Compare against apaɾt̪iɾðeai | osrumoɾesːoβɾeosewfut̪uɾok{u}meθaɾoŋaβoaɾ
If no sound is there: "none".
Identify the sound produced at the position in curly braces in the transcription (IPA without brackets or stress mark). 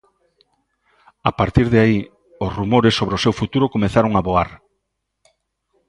o